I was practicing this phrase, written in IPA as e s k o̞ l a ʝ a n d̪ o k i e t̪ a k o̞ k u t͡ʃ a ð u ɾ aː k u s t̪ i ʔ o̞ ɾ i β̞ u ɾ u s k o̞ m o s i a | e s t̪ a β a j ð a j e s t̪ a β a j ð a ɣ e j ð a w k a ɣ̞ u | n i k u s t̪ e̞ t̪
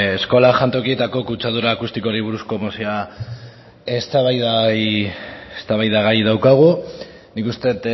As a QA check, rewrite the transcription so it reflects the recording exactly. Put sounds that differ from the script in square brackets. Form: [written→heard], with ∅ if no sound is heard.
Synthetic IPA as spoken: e s k o̞ l a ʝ a n [d̪→t̪] o k i e t̪ a k o̞ k u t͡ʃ a ð u ɾ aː k u s t̪ i [ʔ→k] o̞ ɾ i β̞ u ɾ u s k o̞ m o s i a | e s t̪ a β a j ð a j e s t̪ a β a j ð a ɣ [e→a] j ð a w k a ɣ̞ u | n i k u s t̪ e̞ t̪